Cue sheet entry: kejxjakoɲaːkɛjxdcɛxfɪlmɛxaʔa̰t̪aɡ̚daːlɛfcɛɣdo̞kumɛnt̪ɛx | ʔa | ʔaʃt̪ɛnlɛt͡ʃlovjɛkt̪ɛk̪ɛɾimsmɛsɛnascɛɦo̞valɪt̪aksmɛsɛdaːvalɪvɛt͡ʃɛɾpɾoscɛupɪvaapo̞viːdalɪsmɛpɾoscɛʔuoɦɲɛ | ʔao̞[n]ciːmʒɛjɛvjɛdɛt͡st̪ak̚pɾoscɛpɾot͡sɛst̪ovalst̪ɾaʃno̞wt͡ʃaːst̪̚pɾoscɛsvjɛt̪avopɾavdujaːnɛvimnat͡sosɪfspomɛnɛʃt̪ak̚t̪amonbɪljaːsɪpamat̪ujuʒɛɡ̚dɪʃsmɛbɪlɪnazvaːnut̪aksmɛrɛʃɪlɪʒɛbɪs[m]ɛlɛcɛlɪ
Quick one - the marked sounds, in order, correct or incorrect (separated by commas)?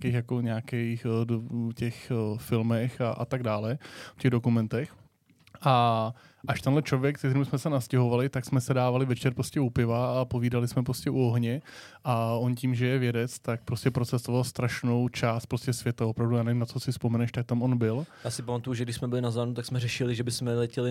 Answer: correct, correct